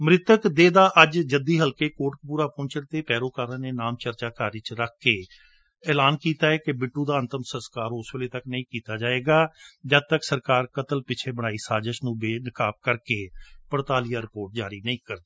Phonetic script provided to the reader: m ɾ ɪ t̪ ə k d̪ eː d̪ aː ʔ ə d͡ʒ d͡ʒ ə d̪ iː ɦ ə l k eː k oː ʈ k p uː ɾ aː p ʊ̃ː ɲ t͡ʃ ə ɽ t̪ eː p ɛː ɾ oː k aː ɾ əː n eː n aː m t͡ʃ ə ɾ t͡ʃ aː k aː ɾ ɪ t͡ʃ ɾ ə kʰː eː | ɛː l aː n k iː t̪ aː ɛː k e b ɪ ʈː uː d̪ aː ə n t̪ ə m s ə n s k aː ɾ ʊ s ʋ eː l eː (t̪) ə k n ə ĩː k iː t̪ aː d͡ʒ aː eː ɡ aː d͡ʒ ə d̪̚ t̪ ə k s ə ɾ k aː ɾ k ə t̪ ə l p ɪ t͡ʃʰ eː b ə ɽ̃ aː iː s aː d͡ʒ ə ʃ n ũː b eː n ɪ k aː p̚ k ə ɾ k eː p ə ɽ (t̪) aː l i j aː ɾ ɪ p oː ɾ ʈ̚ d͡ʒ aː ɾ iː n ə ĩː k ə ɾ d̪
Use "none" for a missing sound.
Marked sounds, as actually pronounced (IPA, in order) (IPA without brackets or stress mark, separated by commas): t̪, t̪